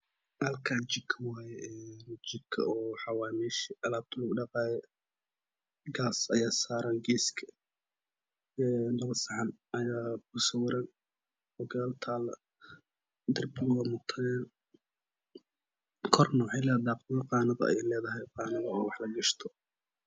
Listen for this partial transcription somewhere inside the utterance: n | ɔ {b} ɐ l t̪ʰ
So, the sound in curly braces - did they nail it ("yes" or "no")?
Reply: no